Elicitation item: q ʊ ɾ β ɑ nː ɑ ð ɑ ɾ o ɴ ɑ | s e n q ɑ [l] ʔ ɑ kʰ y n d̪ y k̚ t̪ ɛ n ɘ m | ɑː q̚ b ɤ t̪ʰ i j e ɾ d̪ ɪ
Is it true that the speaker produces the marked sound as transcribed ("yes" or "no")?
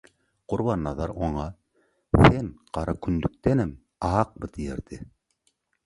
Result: no